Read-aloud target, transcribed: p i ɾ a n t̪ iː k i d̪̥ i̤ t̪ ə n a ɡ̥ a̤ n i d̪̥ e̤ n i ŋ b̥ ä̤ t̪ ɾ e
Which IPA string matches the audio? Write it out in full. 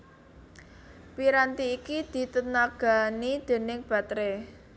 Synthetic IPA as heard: p i ɾ a n t̪ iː k i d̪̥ i̤ t̪ ə n a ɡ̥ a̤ n i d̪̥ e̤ n ɪ ŋ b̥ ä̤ t̪ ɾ e